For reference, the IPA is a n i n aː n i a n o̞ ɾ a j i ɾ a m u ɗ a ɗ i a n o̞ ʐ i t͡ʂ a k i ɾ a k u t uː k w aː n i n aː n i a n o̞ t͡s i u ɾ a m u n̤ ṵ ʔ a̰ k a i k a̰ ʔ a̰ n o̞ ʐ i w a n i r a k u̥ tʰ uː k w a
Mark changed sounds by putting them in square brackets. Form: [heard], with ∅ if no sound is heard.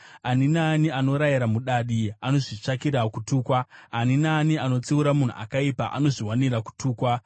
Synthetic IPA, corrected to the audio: a n i n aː n i a n o̞ ɾ a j i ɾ a m u ɗ a ɗ i a n o̞ ʐ i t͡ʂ a k i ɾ a k u t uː k w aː n i n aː n i a n o̞ t͡s i u ɾ a m u n̤ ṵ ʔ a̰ k a i [p] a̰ ʔ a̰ n o̞ ʐ i w a n i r a k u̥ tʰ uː k w a